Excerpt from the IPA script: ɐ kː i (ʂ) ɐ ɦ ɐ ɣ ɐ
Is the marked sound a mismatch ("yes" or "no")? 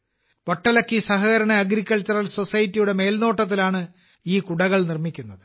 yes